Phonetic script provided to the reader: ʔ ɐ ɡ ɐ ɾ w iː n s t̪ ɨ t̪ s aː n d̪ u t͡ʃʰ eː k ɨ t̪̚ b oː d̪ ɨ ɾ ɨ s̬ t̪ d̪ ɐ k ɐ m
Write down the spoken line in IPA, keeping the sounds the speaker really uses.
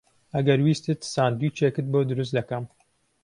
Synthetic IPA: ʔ ɐ ɡ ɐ ɾ w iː s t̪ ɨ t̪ s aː n d̪ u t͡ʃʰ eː k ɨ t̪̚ b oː d̪ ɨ ɾ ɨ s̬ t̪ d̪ ɐ k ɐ m